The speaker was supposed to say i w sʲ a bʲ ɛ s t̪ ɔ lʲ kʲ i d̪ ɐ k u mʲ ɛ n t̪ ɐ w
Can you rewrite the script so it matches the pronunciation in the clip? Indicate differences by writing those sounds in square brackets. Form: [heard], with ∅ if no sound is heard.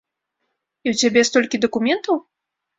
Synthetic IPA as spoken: i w [t͡sʲ] a bʲ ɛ s t̪ ɔ lʲ kʲ i d̪ ɐ k u mʲ ɛ n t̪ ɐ w